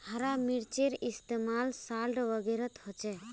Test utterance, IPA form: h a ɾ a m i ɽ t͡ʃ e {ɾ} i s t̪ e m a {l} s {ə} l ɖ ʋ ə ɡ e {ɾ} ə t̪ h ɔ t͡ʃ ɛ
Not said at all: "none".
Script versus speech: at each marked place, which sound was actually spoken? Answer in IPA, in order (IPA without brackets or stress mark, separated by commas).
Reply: ɾ, l, a, ɾ